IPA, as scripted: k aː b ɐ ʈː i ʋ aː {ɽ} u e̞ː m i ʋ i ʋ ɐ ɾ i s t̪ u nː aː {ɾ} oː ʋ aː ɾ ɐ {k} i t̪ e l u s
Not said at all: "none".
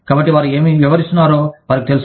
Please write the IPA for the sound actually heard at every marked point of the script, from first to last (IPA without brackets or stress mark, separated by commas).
ɾ, ɾ, k